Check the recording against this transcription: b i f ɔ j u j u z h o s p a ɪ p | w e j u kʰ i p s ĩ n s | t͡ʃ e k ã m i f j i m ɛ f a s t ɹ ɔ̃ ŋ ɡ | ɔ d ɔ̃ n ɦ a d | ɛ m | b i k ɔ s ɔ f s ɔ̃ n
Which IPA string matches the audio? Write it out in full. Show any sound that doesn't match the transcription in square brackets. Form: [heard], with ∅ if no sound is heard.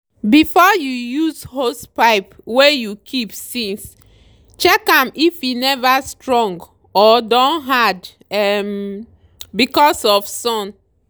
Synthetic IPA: b i f ɔ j u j u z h o s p a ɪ p | w e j u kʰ i p s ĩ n s | t͡ʃ [ɛ] k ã m i f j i [n] ɛ [v] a s t ɹ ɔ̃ ŋ ɡ | ɔ d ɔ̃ n ɦ a d | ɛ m | b i k ɔ s ɔ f s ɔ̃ n